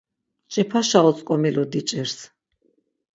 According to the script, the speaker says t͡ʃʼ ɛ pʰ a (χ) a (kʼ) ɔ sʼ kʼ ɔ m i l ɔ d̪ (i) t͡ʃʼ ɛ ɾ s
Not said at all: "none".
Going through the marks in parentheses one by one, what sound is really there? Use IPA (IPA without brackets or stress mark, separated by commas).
ʃ, none, i